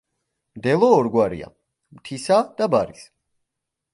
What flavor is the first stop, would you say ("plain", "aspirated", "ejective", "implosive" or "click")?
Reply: plain